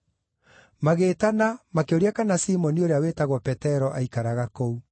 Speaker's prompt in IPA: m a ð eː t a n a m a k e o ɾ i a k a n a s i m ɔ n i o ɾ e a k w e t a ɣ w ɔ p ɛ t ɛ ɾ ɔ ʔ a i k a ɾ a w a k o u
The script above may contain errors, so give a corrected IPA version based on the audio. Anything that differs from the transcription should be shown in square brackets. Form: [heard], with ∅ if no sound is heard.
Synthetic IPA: m a [ɣ] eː t a n a m a k e o ɾ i a k a n a s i m ɔ n i o ɾ e a [∅] w e t a ɣ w ɔ p ɛ t ɛ ɾ ɔ ʔ a i k a ɾ a [ɣ] a k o u